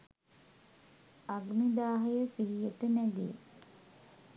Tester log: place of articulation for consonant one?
velar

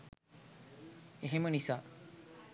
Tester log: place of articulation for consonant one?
glottal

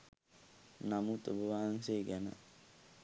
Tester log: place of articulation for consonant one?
alveolar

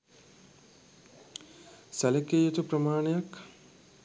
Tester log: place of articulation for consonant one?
alveolar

